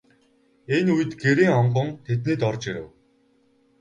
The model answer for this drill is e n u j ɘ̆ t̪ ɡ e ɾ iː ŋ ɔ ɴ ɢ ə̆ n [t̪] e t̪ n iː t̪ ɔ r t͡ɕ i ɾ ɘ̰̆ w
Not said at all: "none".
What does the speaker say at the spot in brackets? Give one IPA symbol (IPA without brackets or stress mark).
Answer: t̪ʰ